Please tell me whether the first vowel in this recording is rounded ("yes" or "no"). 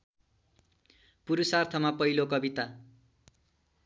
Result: yes